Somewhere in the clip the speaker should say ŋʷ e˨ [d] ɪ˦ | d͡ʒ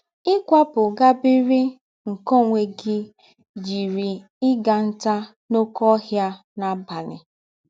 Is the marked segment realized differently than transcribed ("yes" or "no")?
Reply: yes